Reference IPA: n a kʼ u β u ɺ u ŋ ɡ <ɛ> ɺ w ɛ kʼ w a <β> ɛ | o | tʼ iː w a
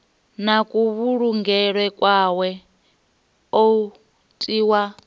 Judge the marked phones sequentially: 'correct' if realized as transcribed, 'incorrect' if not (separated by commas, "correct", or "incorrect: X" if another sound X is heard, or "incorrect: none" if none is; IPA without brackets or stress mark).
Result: correct, incorrect: w